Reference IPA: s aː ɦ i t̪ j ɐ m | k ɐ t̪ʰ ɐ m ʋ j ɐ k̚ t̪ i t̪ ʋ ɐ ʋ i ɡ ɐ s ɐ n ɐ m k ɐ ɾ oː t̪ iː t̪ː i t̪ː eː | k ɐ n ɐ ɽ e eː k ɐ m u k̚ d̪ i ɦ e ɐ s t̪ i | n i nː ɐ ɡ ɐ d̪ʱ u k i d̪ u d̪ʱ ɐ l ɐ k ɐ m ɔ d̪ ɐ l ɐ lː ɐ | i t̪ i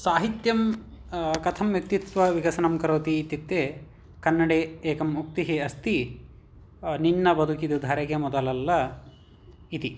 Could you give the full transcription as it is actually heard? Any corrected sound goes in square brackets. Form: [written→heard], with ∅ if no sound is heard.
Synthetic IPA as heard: s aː ɦ i t̪ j ɐ m | k ɐ t̪ʰ ɐ m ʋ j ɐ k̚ t̪ i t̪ ʋ ɐ ʋ i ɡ ɐ s ɐ n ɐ m k ɐ ɾ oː t̪ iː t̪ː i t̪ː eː | k ɐ [n→nː] ɐ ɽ e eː k ɐ m u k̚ [d̪→t̪] i ɦ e ɐ s t̪ i | n i nː ɐ [ɡ→b] ɐ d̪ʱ u k i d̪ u d̪ʱ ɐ [l→ɾ] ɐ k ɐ m ɔ d̪ ɐ l ɐ lː ɐ | i t̪ i